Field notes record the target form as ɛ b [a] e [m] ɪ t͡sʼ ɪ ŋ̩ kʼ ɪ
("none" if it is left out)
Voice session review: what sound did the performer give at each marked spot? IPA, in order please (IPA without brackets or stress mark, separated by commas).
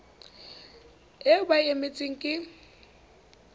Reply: a, m